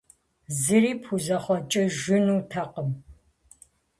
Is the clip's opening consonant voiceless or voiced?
voiced